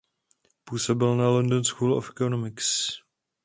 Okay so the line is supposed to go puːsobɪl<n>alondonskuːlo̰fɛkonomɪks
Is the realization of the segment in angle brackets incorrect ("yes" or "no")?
no